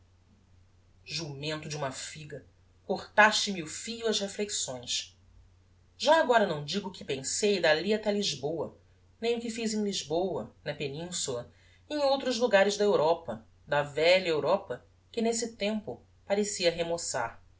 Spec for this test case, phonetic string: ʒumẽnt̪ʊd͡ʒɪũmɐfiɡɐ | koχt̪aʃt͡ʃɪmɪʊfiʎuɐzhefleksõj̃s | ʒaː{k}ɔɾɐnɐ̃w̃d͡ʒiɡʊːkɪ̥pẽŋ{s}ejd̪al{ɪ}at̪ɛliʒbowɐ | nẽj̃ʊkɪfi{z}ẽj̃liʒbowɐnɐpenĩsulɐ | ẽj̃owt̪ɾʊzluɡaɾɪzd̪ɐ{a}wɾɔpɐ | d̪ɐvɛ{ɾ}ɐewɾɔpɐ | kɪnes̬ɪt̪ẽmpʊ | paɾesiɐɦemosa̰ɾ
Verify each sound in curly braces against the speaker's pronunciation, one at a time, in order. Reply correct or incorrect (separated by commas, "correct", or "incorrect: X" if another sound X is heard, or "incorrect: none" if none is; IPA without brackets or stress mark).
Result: incorrect: ɡ, correct, incorrect: i, correct, incorrect: e, incorrect: ʎ